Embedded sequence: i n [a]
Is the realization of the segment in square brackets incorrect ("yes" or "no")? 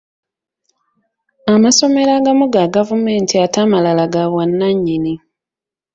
yes